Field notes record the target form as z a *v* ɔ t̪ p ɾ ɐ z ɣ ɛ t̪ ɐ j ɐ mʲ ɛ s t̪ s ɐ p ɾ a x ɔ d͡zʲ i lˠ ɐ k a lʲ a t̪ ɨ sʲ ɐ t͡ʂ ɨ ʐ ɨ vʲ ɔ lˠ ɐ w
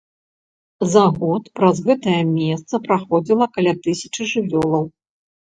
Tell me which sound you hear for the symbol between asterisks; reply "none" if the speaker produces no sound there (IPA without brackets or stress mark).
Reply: ɣ